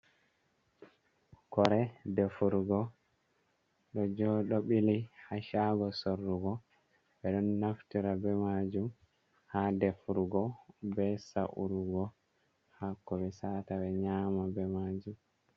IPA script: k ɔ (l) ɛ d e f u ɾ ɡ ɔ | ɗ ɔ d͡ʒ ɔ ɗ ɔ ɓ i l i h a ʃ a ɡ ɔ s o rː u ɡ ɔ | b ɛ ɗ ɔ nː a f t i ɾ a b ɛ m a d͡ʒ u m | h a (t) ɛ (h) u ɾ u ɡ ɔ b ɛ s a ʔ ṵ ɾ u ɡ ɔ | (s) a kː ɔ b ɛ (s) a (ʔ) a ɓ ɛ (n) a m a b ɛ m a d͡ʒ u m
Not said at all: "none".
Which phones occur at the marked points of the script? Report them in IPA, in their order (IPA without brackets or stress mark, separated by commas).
ɾ, d, f, h, s, t, ɲ